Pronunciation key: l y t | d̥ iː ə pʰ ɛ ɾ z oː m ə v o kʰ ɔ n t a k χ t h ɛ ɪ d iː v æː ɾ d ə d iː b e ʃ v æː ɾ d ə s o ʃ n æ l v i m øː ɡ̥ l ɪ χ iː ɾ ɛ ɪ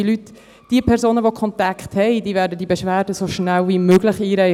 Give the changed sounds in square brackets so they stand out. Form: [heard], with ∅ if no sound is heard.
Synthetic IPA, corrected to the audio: l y t | d̥ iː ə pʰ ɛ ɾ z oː [n] ə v o kʰ ɔ n t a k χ t h ɛ ɪ d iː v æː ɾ d ə d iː b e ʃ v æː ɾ d ə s o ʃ n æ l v i m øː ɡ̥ l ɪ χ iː ɾ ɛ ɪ